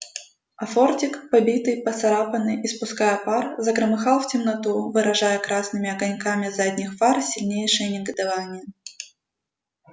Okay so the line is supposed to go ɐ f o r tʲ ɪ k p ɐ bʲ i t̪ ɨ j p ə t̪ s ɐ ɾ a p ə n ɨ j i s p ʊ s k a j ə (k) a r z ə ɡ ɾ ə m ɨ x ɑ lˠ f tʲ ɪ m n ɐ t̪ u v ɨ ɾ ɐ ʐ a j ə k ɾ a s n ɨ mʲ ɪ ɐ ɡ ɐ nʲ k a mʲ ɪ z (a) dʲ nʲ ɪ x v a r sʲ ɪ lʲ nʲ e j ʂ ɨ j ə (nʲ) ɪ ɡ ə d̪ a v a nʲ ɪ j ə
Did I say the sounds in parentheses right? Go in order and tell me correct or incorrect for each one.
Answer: incorrect, correct, correct

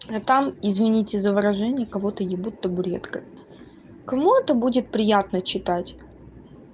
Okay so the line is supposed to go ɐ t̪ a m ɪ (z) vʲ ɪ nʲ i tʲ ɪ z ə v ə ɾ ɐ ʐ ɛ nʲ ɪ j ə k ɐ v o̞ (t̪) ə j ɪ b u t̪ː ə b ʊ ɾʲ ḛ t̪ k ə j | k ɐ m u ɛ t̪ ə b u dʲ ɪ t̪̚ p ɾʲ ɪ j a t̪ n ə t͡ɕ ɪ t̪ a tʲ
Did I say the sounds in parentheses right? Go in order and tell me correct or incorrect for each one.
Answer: correct, correct

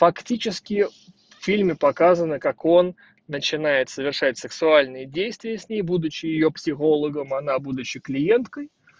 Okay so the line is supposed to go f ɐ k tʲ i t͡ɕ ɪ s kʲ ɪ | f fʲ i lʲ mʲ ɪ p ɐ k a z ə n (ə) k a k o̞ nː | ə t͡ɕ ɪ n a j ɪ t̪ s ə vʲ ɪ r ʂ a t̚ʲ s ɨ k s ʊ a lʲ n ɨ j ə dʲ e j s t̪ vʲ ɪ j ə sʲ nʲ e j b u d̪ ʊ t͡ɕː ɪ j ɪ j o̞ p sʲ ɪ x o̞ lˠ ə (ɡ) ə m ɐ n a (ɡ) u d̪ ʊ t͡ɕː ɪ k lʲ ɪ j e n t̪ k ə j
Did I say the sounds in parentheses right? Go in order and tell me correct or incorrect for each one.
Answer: correct, correct, incorrect

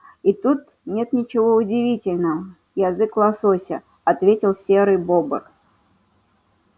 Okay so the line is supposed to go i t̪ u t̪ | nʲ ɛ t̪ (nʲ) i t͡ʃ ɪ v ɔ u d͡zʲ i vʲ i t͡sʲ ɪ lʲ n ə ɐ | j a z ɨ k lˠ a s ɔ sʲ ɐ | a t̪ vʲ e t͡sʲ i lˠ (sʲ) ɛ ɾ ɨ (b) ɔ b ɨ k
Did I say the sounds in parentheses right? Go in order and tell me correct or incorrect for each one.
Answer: correct, correct, correct

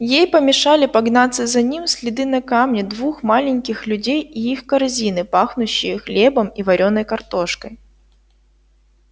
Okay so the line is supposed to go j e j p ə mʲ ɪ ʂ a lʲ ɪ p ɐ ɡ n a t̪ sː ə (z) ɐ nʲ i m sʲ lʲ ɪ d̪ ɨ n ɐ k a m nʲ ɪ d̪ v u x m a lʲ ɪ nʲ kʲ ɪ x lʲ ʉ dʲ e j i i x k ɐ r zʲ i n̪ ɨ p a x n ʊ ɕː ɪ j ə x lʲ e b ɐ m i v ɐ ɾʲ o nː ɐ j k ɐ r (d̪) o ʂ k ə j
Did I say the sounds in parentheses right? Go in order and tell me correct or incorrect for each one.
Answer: correct, incorrect

